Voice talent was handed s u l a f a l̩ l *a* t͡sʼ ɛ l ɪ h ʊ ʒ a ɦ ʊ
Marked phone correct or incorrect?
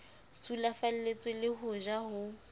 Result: incorrect: e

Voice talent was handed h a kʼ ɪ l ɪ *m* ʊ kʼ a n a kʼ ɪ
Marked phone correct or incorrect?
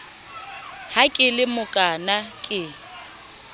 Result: correct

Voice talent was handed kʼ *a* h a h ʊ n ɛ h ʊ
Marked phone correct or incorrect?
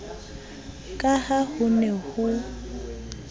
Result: correct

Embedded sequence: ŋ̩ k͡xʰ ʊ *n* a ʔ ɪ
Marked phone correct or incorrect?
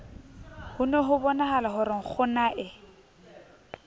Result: correct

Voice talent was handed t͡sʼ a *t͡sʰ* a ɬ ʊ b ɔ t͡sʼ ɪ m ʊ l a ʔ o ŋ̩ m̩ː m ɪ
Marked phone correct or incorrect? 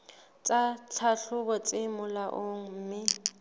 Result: correct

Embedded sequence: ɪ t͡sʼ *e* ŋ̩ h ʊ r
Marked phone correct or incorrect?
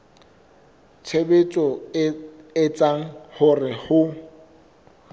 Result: incorrect: a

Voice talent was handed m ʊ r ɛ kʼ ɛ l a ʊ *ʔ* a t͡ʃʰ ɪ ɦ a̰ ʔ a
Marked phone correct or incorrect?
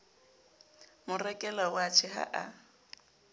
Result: incorrect: none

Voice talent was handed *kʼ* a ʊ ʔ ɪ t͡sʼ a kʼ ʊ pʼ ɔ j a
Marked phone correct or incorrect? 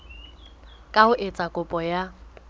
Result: correct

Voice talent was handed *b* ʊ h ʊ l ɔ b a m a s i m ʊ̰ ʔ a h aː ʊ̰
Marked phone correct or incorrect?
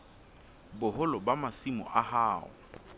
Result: correct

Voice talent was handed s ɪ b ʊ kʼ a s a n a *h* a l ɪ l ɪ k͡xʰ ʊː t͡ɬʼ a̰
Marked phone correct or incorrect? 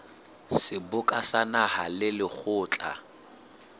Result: correct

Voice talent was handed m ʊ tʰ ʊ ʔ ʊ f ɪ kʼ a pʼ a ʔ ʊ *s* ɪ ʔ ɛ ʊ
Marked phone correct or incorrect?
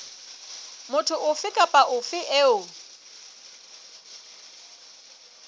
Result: incorrect: f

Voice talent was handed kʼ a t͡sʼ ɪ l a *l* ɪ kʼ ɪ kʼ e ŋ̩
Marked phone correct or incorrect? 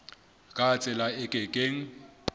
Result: incorrect: none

